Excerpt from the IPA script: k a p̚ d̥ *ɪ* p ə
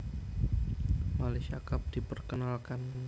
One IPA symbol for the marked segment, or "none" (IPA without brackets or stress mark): i